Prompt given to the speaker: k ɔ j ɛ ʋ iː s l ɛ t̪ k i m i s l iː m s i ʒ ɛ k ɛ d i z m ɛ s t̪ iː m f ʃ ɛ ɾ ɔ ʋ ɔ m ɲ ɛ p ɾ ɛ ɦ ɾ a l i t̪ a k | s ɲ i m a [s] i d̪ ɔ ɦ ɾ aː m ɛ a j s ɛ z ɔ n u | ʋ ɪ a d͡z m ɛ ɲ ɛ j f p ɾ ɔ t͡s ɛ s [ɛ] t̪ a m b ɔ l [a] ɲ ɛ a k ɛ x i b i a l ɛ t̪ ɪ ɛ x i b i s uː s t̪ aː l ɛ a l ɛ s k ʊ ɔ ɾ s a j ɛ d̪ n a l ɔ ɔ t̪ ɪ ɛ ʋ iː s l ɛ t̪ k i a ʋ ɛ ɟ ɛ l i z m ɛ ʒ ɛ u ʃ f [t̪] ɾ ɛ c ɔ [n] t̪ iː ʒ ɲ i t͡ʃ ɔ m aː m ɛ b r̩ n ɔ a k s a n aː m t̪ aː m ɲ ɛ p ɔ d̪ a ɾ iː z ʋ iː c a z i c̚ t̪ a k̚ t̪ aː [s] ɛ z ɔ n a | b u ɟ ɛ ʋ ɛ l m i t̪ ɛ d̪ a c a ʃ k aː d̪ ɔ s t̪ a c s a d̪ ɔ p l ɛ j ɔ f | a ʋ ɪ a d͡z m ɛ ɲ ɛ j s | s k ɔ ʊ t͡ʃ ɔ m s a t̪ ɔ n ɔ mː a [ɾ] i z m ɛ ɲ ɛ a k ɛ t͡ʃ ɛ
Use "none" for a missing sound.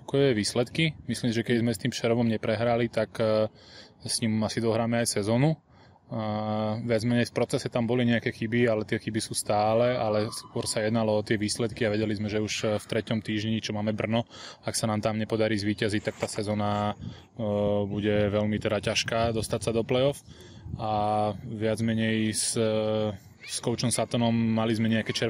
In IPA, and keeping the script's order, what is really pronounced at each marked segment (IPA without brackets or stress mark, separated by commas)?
s, ɛ, i, t̪, m, s, l